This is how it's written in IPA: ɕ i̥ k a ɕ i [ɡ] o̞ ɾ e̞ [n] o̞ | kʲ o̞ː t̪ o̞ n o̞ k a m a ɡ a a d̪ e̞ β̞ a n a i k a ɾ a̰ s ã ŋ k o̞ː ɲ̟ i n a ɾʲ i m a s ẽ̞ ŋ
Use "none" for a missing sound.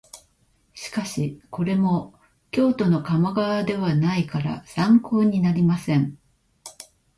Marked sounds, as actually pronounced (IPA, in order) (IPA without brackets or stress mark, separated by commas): k, m